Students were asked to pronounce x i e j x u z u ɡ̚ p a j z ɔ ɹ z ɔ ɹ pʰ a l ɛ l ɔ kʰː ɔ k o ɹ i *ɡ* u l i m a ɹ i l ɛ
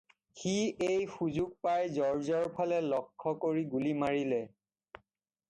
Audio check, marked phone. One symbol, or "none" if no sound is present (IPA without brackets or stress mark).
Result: ɡ